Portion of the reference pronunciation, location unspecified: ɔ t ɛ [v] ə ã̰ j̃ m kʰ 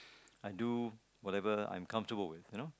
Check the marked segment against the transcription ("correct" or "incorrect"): correct